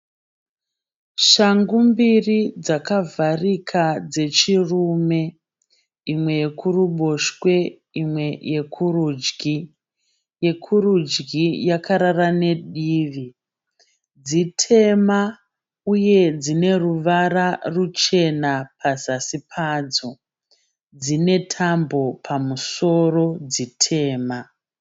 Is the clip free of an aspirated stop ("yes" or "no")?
no